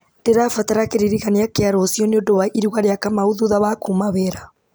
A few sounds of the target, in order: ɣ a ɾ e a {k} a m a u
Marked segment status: correct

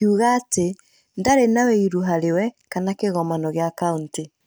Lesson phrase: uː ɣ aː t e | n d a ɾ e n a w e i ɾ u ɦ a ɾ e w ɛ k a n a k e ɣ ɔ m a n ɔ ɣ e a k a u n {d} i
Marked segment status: incorrect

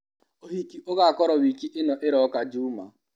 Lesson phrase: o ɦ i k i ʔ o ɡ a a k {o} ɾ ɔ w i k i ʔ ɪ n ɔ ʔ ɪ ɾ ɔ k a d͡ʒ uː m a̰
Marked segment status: incorrect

